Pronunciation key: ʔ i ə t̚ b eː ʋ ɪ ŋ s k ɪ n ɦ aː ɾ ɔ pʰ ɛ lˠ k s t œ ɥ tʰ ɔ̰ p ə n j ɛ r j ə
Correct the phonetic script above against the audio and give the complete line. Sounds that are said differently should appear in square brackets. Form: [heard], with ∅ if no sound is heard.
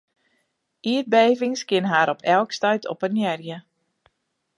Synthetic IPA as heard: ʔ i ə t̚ b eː [v] ɪ ŋ s k ɪ n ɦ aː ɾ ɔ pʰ ɛ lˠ k s t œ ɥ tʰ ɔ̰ p ə n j ɛ r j ə